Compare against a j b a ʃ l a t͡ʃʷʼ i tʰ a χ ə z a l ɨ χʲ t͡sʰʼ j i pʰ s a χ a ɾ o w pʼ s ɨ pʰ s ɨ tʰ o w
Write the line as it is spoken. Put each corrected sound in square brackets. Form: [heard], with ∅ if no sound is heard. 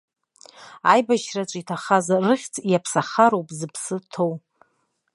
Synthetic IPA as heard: a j b a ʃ [r] a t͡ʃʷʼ i tʰ a χ [a] z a [r] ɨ χʲ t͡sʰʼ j [a] pʰ s a χ a ɾ o w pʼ [z] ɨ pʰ s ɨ tʰ o w